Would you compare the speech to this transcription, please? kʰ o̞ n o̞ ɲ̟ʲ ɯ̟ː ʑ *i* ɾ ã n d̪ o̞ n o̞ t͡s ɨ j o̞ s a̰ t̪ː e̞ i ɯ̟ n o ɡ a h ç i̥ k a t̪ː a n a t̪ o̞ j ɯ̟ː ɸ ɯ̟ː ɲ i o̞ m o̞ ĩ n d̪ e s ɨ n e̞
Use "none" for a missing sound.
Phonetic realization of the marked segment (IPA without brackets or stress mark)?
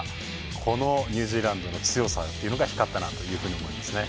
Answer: iː